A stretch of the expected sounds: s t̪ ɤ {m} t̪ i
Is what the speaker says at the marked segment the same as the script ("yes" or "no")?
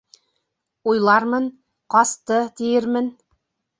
no